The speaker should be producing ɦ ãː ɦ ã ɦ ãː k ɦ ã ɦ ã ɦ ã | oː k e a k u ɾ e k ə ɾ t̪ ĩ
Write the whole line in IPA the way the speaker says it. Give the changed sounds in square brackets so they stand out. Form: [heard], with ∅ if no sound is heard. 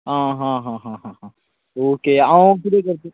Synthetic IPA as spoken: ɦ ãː ɦ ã ɦ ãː [∅] ɦ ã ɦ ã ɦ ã | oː k e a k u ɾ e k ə ɾ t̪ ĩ